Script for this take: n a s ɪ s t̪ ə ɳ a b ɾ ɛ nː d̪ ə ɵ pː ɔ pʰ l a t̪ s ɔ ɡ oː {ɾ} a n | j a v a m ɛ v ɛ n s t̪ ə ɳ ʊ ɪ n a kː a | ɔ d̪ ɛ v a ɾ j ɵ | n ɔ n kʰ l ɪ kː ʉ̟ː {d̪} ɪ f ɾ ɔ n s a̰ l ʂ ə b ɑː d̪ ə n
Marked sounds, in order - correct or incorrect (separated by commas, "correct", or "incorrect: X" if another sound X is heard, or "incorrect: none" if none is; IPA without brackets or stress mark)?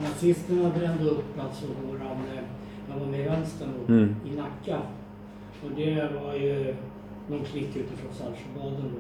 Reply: correct, incorrect: t̪